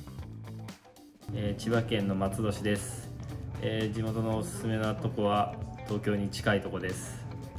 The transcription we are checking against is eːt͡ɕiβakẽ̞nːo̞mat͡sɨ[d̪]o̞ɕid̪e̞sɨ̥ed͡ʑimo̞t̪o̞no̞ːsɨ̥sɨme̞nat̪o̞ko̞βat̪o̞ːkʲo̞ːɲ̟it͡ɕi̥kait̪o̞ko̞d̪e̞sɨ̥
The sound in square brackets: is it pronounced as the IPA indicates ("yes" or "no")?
yes